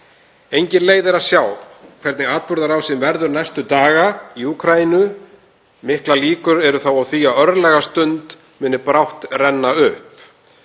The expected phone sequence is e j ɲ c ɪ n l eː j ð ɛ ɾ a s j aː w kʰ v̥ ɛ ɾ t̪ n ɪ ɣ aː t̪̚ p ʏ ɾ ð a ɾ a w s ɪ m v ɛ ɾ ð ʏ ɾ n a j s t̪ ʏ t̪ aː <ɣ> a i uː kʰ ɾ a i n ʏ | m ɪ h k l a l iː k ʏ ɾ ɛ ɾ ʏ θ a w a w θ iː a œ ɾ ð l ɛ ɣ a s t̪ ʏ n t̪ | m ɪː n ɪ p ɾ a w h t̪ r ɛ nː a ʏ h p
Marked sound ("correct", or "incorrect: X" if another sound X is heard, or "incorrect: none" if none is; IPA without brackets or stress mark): correct